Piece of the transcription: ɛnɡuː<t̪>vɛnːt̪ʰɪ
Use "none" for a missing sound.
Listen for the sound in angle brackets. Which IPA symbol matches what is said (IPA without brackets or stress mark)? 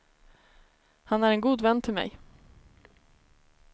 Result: d̪